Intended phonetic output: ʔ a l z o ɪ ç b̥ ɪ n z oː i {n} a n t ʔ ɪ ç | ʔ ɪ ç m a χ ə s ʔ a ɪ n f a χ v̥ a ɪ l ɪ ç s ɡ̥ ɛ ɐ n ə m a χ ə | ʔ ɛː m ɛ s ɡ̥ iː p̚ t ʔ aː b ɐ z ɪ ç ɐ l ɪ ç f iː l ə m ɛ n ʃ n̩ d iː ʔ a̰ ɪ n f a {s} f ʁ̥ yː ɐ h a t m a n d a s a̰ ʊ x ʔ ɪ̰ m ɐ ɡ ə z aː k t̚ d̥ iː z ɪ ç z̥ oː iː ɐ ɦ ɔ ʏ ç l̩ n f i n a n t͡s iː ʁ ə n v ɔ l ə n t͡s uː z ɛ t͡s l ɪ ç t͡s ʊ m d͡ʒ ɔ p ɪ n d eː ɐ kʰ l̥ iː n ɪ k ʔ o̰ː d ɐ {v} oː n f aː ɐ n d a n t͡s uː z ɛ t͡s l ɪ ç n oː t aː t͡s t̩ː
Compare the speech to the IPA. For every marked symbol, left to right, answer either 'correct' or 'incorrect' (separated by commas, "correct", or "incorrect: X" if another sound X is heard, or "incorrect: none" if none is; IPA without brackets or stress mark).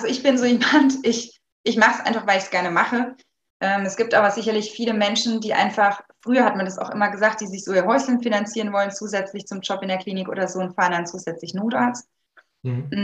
incorrect: m, incorrect: χ, incorrect: z